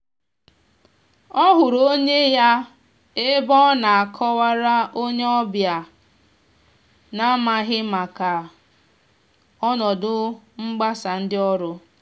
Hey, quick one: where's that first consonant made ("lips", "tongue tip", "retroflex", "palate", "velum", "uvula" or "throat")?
throat